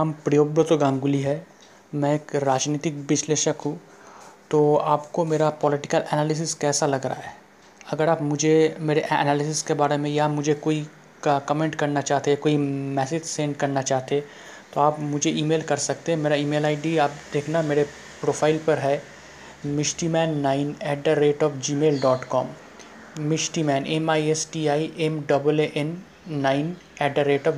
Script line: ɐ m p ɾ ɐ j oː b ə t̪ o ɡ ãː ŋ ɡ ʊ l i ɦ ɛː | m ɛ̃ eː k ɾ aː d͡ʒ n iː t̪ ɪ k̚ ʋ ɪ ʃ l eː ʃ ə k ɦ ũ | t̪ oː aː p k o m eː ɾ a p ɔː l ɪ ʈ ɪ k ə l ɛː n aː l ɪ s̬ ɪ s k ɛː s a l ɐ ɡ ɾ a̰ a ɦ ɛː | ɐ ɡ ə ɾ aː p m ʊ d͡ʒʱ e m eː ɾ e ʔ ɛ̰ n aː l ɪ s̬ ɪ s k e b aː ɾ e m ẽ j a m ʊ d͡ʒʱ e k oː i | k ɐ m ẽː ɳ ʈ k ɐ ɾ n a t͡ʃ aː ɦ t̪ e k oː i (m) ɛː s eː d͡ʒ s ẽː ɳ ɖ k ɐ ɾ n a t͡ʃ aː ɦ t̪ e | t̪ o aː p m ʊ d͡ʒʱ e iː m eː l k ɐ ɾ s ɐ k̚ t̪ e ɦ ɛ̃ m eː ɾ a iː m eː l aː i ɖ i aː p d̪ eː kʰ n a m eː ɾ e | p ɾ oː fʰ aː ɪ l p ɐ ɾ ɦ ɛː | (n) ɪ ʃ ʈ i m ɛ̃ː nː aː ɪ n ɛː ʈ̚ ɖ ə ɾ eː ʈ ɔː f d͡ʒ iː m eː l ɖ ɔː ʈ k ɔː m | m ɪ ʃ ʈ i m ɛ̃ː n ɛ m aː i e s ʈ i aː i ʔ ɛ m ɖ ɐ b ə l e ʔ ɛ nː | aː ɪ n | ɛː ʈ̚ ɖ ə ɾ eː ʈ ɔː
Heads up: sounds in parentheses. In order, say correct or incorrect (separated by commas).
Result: correct, incorrect